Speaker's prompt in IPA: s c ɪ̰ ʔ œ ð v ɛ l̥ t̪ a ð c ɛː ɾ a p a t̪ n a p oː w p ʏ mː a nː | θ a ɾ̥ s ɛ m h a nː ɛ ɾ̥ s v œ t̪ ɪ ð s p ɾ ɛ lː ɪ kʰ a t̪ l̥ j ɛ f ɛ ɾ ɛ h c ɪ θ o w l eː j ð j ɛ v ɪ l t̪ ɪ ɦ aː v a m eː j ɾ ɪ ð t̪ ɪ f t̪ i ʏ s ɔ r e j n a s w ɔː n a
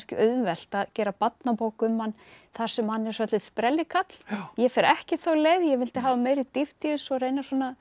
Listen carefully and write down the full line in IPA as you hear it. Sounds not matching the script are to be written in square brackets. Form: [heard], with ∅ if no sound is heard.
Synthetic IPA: s c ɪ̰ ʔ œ ð v ɛ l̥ t̪ a ð c ɛː ɾ a p a t̪ n a p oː w [k] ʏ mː a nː | θ a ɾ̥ s ɛ m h a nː ɛ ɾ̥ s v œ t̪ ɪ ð s p ɾ ɛ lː ɪ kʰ a t̪ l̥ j ɛ f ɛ ɾ ɛ h c ɪ θ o w l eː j ð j ɛ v ɪ l t̪ ɪ ɦ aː v a m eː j ɾ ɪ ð t̪ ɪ f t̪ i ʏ s ɔ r e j n a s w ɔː n a